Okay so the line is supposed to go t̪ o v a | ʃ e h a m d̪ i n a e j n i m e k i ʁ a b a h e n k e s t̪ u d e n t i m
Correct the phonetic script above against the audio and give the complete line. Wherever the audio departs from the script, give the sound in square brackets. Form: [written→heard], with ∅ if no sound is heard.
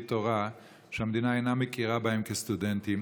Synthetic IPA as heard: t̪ o [v→ʁ] a | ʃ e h a m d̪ i n a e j n [i→a] m e k i ʁ a b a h e [n→m] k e s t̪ u d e n t i m